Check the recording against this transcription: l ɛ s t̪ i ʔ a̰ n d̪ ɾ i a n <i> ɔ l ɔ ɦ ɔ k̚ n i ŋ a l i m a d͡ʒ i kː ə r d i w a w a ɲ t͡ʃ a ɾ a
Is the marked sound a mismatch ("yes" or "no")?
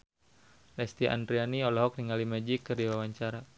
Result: no